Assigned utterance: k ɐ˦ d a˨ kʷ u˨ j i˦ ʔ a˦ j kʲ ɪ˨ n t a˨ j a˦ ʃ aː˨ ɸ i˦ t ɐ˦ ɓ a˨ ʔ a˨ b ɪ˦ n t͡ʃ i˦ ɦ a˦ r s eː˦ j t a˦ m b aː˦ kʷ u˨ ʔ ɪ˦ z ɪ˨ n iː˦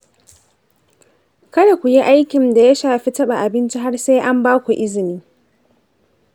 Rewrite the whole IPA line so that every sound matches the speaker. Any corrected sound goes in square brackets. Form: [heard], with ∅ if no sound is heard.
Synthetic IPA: k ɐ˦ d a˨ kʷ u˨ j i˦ ʔ a˦ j kʲ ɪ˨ n [d] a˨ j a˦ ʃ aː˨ ɸ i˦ t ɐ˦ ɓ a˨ ʔ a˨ b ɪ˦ n t͡ʃ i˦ ɦ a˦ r s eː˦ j [ʔ] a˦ m b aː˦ kʷ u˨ ʔ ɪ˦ z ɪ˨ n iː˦